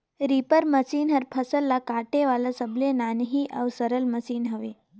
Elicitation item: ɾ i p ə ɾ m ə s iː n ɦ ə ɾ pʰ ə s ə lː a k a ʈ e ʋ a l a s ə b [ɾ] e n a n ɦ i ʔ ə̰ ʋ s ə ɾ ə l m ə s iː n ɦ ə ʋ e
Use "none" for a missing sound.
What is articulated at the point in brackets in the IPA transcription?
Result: l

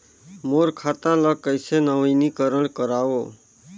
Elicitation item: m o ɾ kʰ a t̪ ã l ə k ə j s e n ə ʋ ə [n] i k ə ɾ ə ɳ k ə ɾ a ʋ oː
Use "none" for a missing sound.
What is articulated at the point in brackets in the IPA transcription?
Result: n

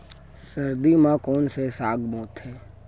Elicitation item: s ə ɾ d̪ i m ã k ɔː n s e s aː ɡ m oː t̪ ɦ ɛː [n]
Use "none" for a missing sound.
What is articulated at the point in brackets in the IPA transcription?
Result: none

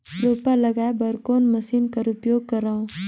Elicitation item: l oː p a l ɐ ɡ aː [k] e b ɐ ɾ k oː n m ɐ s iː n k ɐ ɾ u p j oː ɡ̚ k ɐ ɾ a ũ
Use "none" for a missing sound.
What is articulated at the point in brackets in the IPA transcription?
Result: none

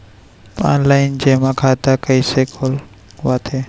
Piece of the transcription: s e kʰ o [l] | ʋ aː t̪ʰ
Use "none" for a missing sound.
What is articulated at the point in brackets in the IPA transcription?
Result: l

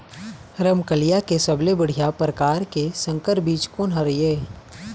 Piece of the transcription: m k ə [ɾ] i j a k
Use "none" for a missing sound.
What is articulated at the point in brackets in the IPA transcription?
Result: l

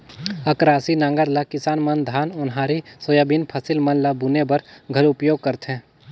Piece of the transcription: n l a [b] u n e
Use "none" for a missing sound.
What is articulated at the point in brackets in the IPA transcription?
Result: b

